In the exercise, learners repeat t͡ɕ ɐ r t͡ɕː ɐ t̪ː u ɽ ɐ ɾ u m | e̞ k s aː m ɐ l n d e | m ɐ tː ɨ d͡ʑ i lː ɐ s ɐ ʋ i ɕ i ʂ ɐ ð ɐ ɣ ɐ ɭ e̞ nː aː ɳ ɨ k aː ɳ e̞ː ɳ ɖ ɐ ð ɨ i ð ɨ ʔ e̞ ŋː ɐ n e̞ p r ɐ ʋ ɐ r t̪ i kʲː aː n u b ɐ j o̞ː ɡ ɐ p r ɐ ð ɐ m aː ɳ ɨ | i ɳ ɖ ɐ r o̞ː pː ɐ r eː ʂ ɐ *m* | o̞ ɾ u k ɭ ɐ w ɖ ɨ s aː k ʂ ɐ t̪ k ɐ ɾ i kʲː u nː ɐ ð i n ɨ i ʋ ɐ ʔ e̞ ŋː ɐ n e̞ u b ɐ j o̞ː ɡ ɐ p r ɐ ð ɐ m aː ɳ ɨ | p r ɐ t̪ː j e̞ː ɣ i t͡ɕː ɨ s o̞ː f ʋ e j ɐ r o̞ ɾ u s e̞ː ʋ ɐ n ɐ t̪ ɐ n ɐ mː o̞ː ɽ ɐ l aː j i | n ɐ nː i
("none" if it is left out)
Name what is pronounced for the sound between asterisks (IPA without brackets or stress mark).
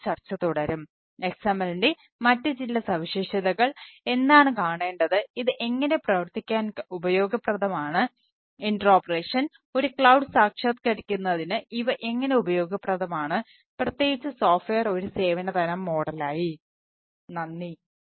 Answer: n